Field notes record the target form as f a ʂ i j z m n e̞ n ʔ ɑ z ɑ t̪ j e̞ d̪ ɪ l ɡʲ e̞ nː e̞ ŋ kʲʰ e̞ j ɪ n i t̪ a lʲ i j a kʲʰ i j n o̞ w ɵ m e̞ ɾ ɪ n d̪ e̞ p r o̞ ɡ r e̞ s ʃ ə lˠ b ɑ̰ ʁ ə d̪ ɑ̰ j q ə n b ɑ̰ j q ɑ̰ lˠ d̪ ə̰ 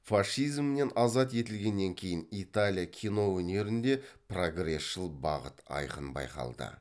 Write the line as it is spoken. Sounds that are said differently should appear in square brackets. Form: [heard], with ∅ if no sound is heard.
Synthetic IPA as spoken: f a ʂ i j z m n e̞ n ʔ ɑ z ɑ t̪ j e̞ [t̪] ɪ l ɡʲ e̞ nː e̞ ŋ kʲʰ e̞ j ɪ n i t̪ a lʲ i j a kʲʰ i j n o̞ w ɵ [n] e̞ ɾ ɪ n d̪ e̞ p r o̞ ɡ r e̞ s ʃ ə lˠ b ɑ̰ ʁ ə [t̪] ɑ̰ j q ə n b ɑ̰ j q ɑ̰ lˠ d̪ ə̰